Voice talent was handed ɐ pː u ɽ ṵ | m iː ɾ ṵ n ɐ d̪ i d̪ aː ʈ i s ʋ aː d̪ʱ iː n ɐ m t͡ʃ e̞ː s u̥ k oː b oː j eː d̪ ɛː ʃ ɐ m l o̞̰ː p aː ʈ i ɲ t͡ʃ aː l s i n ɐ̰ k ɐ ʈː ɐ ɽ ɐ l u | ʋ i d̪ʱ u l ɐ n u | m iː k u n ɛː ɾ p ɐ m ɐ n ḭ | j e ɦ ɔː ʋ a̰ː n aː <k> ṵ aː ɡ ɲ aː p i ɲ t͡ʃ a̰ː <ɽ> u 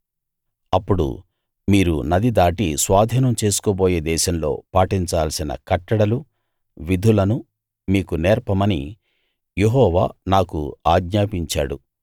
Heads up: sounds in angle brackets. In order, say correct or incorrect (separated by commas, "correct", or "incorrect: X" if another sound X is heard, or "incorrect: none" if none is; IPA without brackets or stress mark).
correct, correct